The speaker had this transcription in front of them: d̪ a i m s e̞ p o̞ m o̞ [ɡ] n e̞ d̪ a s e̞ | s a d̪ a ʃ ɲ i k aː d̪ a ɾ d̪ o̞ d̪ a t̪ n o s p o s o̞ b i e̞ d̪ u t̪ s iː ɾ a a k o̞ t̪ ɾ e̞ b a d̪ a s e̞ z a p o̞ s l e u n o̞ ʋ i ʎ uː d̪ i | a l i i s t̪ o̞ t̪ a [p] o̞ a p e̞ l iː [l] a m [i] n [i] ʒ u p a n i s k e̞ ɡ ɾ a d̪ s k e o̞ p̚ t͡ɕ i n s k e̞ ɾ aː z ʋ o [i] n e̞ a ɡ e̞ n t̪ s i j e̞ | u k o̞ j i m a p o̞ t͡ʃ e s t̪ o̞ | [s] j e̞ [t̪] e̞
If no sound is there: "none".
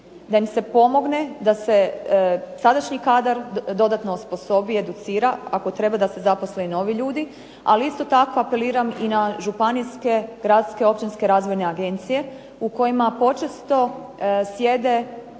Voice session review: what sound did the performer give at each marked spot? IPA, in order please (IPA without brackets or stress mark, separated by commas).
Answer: ɡ, k, ɾ, i, a, j, s, d̪